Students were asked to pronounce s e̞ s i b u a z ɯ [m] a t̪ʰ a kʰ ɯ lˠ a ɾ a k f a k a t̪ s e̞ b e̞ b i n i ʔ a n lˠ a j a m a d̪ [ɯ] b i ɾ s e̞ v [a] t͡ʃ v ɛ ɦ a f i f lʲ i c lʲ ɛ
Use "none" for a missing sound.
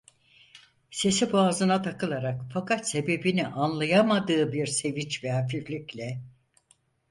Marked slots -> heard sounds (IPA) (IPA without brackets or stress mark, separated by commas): n, ɯː, i